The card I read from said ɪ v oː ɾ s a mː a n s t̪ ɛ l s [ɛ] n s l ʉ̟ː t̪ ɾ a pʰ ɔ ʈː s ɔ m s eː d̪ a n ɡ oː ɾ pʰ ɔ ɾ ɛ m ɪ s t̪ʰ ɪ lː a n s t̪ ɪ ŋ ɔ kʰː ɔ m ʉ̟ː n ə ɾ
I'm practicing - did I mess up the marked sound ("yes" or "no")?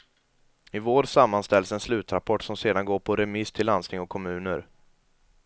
no